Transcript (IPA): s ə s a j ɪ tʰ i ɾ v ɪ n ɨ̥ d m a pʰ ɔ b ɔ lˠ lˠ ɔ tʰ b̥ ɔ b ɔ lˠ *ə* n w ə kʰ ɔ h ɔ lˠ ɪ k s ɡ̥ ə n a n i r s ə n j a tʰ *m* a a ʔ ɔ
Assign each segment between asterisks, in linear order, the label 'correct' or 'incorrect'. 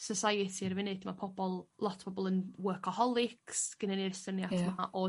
correct, correct

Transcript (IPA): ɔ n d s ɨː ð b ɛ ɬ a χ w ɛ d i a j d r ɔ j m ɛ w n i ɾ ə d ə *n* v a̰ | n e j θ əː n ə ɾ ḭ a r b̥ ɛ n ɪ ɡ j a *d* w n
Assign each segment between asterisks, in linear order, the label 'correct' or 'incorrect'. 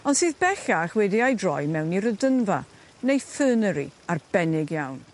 correct, incorrect

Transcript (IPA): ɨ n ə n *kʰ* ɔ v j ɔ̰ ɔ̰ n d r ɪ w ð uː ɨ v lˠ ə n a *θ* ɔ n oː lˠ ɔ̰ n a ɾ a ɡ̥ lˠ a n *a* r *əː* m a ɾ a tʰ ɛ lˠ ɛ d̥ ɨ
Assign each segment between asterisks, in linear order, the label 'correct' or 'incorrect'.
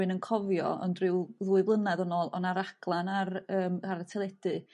correct, incorrect, correct, correct

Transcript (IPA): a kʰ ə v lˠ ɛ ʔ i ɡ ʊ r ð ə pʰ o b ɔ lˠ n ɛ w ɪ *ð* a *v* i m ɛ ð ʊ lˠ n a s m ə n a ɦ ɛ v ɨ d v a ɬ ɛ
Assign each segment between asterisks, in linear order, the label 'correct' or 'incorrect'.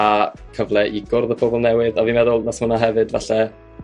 correct, correct

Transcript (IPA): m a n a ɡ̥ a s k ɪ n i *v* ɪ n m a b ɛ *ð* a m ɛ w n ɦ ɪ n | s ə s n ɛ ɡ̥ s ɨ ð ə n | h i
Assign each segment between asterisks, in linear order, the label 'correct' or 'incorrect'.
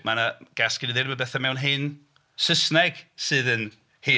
incorrect, incorrect

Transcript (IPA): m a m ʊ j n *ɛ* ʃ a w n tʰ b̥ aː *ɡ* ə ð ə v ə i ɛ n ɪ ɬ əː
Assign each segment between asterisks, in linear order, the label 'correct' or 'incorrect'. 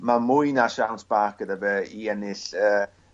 incorrect, incorrect

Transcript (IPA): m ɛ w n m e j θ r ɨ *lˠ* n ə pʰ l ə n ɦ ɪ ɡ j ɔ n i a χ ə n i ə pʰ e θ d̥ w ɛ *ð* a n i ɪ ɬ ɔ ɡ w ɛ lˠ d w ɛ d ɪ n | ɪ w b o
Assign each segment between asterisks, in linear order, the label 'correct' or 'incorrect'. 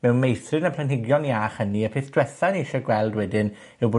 incorrect, incorrect

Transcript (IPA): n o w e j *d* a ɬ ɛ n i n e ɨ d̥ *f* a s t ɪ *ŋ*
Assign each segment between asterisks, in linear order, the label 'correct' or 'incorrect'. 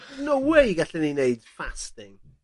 incorrect, correct, correct

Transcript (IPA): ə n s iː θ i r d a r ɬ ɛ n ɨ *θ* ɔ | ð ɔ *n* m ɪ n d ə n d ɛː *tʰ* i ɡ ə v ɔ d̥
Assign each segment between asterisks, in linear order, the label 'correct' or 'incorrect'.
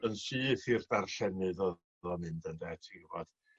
incorrect, incorrect, correct

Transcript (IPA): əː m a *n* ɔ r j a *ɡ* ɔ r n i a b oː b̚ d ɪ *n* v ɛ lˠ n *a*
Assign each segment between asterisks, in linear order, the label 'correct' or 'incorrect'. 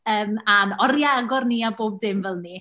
correct, correct, incorrect, incorrect

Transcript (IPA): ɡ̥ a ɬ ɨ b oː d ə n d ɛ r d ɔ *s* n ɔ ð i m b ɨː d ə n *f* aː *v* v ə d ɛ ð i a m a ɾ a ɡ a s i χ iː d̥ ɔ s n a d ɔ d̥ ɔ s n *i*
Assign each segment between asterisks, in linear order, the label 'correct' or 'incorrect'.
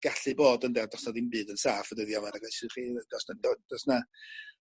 correct, incorrect, incorrect, incorrect

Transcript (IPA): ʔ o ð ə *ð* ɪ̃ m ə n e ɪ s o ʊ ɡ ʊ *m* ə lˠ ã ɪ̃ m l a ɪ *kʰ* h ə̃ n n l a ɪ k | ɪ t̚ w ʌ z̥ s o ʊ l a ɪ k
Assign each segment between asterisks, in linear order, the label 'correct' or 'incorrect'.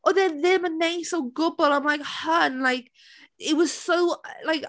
correct, incorrect, incorrect

